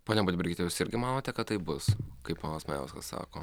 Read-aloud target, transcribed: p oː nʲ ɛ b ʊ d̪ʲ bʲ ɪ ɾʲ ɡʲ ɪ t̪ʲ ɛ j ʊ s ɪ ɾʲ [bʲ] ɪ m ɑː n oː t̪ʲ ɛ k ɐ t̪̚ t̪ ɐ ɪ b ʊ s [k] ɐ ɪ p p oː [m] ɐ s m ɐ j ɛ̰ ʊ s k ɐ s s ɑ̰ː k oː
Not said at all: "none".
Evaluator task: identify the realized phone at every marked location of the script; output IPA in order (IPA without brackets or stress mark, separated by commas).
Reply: ɡʲ, k, n